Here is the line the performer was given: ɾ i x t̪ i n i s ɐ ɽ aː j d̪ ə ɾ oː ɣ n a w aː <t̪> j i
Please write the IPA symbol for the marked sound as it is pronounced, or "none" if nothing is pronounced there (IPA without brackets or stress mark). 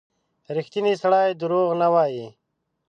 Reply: none